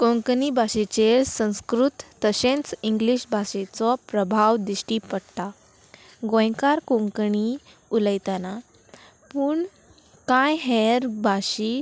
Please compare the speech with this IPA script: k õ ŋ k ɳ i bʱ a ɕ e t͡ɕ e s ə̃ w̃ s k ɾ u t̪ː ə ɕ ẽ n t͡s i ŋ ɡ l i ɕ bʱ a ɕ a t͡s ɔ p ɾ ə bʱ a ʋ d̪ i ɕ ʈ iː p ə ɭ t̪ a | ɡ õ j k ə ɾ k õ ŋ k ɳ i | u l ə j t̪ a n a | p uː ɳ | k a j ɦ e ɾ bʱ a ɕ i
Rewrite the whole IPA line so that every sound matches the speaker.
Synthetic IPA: k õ ŋ k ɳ i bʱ a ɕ e t͡ɕ e s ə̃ w̃ s k ɾ u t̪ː ə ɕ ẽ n t͡s i ŋ ɡ l i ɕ bʱ a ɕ e t͡s ɔ p ɾ ə bʱ a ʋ d̪ i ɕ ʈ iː p ə ɽ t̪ a | ɡ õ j k a ɾ k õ ŋ k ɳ i | u l ə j t̪ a n a | p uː ɳ | k a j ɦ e ɾ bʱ a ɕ i